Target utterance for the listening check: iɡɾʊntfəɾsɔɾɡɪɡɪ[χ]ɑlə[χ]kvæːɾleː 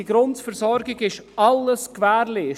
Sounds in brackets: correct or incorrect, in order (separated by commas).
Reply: incorrect, incorrect